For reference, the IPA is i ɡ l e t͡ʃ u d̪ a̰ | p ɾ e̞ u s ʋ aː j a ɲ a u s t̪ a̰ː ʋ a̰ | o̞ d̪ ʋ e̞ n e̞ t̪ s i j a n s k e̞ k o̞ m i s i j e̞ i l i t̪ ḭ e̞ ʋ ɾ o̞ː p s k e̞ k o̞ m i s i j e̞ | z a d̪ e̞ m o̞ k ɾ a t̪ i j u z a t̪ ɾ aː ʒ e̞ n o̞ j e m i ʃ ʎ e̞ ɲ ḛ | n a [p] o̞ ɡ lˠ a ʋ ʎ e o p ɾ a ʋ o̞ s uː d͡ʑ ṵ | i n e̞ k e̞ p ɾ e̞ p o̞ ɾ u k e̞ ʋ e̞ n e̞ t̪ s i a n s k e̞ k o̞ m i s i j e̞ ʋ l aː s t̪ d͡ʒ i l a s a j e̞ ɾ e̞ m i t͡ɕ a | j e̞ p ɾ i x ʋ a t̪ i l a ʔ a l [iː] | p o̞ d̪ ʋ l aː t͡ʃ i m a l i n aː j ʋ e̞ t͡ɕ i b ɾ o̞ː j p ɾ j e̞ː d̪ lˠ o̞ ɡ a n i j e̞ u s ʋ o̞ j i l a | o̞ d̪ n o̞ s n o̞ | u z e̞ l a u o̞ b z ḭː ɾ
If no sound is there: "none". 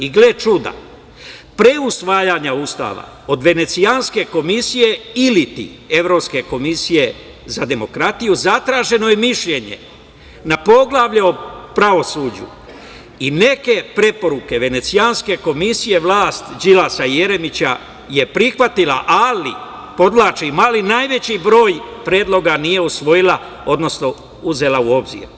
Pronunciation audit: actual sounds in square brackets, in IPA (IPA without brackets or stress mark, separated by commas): p, i